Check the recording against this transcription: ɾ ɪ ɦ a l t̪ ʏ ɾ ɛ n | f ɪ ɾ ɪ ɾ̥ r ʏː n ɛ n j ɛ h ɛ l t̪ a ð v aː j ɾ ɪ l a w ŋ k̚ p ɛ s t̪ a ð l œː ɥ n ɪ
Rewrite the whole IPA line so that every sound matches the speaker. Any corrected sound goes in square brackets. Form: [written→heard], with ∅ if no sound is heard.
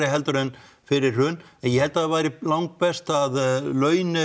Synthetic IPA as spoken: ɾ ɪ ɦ [a→ɛ] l t̪ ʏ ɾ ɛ n | f ɪ ɾ ɪ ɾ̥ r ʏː n ɛ n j ɛ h ɛ l t̪ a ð v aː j ɾ ɪ l a w ŋ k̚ p ɛ s t̪ a ð l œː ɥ n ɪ